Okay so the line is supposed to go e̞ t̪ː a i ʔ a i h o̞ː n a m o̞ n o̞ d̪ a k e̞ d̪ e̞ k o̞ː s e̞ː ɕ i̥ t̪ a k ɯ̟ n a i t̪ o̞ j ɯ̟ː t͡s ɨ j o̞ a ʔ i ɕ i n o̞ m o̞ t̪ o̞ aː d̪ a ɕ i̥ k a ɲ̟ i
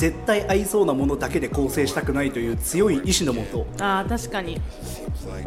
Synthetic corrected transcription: e̞ t̪ː a i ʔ a i s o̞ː n a m o̞ n o̞ d̪ a k e̞ d̪ e̞ k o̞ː s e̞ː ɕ i̥ t̪ a k ɯ̟ n a i t̪ o̞ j ɯ̟ː t͡s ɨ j o̞ i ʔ i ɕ i n o̞ m o̞ t̪ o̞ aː t̪ a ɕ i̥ k a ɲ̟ i